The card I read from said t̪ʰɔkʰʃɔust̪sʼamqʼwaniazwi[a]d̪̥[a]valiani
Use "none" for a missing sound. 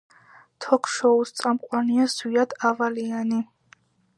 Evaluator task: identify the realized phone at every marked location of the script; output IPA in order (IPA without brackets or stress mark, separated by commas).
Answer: a, a